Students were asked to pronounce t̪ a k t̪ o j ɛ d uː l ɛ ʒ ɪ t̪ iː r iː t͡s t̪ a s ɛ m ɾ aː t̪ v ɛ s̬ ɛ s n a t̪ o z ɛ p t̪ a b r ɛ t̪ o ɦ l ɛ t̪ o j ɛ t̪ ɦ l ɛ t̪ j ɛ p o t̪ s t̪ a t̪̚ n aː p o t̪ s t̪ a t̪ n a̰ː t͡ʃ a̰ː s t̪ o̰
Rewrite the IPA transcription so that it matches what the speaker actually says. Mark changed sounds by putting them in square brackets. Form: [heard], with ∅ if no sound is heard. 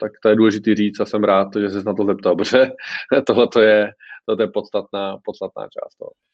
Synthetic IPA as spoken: t̪ a k t̪ o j ɛ d uː l ɛ ʒ ɪ t̪ iː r iː t͡s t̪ a s ɛ m ɾ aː t̪ [ʒ] ɛ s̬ ɛ s n a t̪ o z ɛ p t̪ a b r ɛ t̪ o ɦ l ɛ t̪ o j ɛ t̪ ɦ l ɛ t̪ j ɛ p o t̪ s t̪ a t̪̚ n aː p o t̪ s t̪ a t̪ n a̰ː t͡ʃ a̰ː s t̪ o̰